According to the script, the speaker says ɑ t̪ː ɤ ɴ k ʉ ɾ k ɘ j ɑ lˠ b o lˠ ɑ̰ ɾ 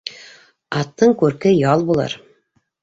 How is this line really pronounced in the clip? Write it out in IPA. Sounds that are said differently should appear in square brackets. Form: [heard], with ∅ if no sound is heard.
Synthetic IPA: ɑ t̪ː ɤ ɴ k ʉ ɾ k ɘ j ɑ lˠ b [u] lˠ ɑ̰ ɾ